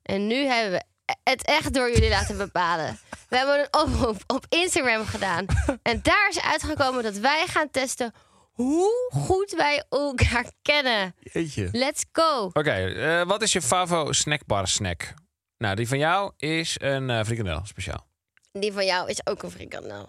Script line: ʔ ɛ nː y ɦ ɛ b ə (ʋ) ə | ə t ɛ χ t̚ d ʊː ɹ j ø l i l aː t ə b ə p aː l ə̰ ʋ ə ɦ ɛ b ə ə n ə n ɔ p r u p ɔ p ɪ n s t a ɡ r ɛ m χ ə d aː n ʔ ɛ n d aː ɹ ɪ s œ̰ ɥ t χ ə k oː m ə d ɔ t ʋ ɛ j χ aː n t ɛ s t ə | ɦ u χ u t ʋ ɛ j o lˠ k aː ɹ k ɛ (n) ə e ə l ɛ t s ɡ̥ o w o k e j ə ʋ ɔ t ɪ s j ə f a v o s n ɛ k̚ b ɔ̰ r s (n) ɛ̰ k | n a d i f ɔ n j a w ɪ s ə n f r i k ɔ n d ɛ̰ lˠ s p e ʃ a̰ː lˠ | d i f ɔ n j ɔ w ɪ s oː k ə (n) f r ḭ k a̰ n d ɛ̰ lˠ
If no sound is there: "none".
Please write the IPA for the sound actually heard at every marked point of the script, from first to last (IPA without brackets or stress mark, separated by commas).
ʋ, n, n, n